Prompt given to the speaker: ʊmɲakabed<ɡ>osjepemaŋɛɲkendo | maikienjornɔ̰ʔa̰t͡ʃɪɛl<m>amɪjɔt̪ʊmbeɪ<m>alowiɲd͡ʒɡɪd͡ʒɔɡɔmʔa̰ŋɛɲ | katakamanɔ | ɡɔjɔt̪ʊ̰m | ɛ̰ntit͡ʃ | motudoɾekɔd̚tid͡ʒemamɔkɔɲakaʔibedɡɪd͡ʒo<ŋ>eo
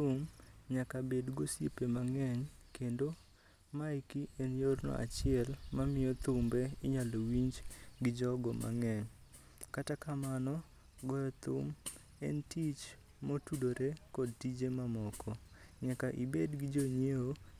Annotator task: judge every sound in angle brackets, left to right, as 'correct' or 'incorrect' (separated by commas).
correct, correct, incorrect, incorrect